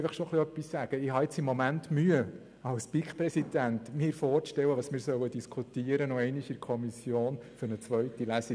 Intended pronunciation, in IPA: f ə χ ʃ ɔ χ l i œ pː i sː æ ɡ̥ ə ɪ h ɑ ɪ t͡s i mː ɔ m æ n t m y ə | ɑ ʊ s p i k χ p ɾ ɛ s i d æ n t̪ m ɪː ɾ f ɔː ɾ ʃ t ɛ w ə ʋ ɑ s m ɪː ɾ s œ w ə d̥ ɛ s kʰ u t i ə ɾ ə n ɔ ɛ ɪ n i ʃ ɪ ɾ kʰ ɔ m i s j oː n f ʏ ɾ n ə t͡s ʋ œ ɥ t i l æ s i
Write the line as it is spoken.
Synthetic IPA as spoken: f ə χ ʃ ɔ χ l i œ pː i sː æ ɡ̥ ə ɪ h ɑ ɪ t͡s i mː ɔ m æ n t m y ə | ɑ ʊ s p i k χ p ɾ ɛ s i d æ n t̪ m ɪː ɾ f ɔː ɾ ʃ t ɛ w ə ʋ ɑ s m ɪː ɾ s œ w ə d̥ i s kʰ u t i ə ɾ ə n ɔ ɛ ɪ n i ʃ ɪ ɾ kʰ ɔ m i s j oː n f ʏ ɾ n ə t͡s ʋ œ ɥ t i l æ s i